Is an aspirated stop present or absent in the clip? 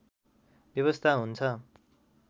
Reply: present